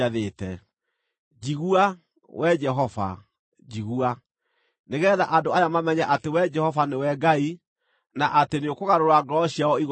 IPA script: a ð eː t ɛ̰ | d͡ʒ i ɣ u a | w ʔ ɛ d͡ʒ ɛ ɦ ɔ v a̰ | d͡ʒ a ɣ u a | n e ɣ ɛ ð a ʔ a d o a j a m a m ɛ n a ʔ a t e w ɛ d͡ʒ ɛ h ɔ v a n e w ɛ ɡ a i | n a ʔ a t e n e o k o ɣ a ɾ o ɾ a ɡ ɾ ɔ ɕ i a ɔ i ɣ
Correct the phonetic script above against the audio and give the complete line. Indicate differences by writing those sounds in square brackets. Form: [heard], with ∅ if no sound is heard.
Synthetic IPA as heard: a ð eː t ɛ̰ | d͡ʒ i ɣ u a | w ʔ ɛ d͡ʒ ɛ ɦ ɔ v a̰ | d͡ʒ [i] ɣ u a | n e ɣ ɛ ð a ʔ a d o a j a m a m ɛ [ɲ] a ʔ a t e w ɛ d͡ʒ ɛ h ɔ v a n e w ɛ ɡ a i | n a ʔ a t e n e o k o ɣ a ɾ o ɾ a ɡ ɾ ɔ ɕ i a ɔ i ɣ